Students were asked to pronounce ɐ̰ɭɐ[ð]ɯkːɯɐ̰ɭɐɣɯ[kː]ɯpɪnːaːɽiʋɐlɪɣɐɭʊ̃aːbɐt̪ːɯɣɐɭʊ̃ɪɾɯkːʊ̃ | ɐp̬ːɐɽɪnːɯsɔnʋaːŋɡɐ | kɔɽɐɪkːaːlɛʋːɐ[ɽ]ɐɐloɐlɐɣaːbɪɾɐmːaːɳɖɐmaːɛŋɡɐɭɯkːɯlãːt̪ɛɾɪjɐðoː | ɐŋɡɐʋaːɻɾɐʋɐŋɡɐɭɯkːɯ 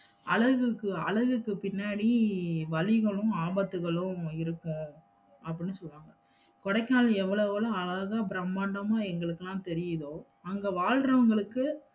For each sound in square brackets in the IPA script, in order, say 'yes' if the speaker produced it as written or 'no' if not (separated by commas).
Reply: no, yes, no